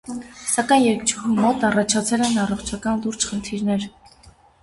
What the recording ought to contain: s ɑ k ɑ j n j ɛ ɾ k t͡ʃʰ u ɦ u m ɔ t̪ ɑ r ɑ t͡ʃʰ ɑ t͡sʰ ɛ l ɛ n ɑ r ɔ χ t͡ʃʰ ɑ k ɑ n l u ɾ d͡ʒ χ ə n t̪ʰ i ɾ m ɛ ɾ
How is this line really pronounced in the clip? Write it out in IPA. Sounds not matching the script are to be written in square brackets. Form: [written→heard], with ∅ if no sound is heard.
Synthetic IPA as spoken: s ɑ k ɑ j n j ɛ ɾ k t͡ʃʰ u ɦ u m ɔ t̪ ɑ r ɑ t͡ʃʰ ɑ t͡sʰ ɛ l ɛ n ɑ r ɔ χ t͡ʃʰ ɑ k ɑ n l u ɾ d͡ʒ χ ə n t̪ʰ i ɾ [m→n] ɛ ɾ